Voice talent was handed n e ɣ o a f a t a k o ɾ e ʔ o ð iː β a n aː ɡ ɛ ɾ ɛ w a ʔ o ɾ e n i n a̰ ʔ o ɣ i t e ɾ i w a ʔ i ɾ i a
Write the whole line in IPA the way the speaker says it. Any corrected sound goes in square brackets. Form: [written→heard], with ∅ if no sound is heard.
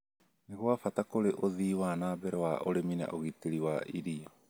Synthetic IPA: n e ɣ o a f a t a k o ɾ e ʔ o ð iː [β→w] a n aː [ɡ→b] ɛ ɾ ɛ w a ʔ o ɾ e [n→m] i n a̰ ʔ o ɣ i t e ɾ i w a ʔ i ɾ i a